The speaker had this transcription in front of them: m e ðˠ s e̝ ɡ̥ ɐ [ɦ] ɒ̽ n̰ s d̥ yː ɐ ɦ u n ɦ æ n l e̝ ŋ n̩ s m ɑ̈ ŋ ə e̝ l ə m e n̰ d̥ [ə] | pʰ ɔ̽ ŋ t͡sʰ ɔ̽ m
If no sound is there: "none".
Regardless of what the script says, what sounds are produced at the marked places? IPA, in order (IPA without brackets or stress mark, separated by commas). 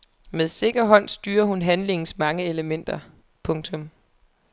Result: ɦ, ɐ